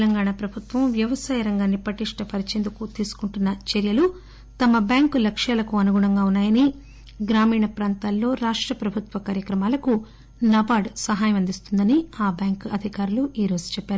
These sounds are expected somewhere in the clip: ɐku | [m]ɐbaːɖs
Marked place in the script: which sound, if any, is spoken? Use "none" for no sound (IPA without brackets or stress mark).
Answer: n